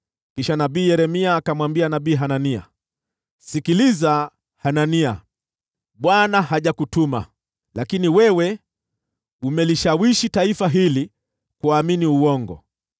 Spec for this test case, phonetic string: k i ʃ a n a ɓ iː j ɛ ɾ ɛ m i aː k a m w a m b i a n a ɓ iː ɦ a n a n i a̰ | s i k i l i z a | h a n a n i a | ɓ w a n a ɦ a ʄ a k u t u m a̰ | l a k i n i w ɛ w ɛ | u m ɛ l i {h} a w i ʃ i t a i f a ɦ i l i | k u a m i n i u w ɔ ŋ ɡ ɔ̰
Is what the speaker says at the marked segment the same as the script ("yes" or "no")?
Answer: no